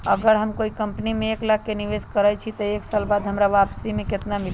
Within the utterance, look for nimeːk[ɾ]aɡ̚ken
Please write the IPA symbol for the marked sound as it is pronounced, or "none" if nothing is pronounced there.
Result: l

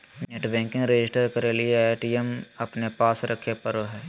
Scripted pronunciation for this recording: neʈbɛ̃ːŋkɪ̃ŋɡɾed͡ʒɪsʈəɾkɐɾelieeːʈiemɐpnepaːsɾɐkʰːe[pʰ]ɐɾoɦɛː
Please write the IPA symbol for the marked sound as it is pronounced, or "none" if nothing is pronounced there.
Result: p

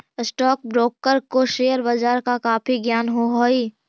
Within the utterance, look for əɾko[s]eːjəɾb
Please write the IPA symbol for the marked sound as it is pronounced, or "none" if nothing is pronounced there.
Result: ʃ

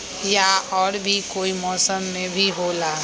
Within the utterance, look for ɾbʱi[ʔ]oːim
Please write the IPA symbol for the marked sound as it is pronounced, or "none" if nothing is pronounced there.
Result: k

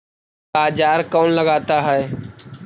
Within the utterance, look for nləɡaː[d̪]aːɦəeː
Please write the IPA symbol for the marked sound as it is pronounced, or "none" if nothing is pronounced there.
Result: t̪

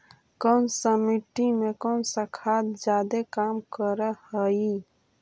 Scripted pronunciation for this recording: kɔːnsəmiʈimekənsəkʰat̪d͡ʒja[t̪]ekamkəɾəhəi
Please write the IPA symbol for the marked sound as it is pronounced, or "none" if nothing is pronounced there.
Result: d̪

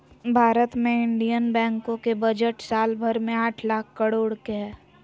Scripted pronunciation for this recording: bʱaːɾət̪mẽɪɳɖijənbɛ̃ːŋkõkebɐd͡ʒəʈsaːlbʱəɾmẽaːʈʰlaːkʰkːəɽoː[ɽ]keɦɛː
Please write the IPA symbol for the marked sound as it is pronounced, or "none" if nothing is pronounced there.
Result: ɽ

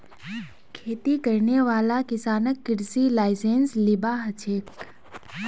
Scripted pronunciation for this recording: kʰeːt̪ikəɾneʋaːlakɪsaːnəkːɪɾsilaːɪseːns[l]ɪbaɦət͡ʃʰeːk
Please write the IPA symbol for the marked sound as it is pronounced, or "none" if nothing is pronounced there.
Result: l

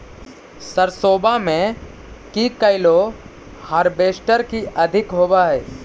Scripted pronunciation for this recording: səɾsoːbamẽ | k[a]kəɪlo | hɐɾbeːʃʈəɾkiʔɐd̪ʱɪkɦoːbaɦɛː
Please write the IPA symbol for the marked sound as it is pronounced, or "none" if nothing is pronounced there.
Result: i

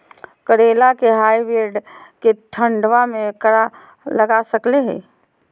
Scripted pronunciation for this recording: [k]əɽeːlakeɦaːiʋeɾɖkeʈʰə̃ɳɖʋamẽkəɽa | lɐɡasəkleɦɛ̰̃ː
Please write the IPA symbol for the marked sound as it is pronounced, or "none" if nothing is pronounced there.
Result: k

